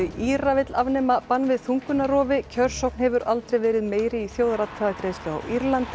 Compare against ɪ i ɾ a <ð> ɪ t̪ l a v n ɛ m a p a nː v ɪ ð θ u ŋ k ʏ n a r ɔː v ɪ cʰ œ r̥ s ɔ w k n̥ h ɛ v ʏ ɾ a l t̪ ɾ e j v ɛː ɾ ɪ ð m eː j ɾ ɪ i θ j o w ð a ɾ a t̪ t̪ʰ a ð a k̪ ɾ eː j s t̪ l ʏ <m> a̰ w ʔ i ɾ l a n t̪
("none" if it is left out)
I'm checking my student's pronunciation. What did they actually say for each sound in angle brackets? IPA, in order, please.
v, none

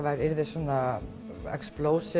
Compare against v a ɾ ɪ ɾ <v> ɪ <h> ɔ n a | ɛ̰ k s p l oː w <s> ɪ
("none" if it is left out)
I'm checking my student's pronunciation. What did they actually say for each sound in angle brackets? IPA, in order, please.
ð, s, s

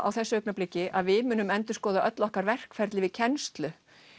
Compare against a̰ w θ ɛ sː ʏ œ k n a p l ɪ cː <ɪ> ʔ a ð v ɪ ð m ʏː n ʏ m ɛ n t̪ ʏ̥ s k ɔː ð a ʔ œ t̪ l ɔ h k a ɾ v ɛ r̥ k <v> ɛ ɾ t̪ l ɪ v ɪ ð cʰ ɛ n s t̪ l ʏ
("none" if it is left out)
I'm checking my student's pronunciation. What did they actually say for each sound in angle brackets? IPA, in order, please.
ɪ, f

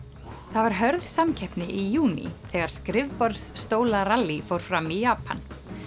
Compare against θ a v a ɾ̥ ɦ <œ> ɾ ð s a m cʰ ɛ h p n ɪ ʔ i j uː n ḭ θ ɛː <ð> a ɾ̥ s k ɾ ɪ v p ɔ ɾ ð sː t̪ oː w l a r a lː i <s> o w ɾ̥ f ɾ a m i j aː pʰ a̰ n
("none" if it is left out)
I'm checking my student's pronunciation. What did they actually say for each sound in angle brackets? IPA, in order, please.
œ, ɣ, f

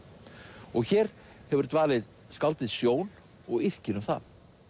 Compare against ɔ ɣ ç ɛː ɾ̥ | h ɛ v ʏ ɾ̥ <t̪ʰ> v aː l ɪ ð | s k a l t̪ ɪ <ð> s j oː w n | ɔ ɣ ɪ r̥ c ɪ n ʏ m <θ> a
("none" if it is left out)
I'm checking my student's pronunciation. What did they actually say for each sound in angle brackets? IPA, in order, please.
t̪, ð, θ

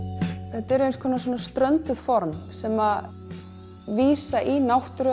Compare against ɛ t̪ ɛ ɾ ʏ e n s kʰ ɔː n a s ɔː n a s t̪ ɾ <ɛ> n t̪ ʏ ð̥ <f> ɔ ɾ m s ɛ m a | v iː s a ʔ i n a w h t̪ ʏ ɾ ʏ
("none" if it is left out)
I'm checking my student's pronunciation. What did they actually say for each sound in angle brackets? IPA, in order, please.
œ, f

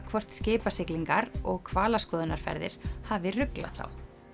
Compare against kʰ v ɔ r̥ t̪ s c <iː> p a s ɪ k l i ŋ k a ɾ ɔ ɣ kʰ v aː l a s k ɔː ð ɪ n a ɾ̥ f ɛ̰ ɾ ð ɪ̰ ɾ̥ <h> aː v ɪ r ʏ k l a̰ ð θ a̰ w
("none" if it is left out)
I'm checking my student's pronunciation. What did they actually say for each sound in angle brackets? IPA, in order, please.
ɪː, h

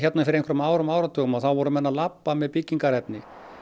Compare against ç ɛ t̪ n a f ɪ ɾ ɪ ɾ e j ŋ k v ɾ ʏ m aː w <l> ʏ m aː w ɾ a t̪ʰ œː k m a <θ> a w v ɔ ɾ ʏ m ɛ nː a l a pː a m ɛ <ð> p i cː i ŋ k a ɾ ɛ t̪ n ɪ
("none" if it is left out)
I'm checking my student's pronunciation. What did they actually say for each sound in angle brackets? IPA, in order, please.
ɾ, θ, ð

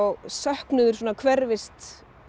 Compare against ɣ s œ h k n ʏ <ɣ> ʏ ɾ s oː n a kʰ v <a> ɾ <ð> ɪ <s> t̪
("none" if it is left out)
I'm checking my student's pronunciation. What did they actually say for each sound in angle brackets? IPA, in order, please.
ð, ɛ, v, s

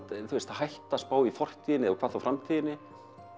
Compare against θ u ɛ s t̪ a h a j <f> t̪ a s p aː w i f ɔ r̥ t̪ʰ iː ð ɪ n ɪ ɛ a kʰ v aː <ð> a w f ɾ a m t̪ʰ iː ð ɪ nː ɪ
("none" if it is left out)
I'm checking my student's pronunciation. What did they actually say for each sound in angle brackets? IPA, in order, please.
h, θ

